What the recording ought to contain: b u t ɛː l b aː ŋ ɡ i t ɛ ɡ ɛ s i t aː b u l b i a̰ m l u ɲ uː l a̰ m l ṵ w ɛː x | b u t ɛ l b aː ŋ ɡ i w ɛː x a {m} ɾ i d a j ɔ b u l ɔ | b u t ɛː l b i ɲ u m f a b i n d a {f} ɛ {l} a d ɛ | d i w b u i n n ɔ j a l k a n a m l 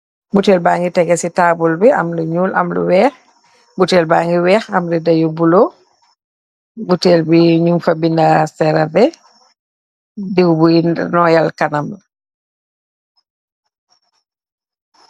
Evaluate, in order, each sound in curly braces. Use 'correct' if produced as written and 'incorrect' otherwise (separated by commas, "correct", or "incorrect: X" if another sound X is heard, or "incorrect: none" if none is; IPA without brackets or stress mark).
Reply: correct, incorrect: s, incorrect: ɾ